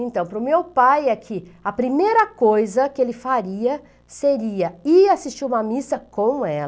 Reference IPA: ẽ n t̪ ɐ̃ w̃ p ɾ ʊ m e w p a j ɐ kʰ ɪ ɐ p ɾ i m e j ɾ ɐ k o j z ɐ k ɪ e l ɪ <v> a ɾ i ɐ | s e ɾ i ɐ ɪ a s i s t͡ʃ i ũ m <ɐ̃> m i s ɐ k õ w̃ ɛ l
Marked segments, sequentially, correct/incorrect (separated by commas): incorrect, incorrect